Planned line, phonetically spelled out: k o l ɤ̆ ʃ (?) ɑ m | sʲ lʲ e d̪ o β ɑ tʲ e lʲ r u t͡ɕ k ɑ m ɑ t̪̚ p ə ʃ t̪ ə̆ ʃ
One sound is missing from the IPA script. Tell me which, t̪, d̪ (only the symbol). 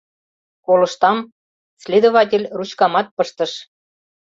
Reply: t̪